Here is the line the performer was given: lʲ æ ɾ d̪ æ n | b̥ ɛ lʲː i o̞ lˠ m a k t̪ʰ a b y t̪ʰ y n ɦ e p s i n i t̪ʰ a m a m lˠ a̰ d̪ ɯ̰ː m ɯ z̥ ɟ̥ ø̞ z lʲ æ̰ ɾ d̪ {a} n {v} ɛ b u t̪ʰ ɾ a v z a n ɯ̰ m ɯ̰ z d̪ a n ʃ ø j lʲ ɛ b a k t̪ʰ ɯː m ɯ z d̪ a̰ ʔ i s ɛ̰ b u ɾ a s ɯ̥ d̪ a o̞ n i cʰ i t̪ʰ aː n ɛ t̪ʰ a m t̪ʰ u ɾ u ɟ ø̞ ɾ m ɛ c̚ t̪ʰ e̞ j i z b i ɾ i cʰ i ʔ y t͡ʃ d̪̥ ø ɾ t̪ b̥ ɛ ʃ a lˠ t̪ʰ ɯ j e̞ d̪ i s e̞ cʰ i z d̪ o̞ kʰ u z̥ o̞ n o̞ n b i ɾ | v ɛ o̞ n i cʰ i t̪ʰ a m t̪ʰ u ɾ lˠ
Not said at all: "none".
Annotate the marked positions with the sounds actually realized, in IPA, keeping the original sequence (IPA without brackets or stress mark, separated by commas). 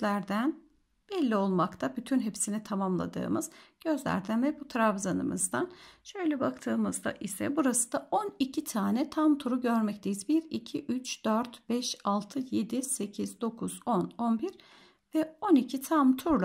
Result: æ, v